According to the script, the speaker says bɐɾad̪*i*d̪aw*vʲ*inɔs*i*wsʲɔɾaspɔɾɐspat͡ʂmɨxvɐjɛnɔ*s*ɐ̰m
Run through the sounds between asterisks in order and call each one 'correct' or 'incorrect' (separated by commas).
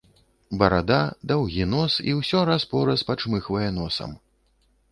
incorrect, incorrect, correct, correct